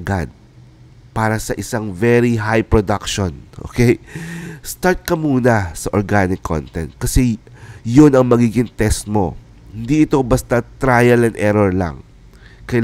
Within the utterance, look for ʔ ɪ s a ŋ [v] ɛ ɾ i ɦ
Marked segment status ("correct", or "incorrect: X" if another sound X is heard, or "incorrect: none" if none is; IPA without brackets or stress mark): correct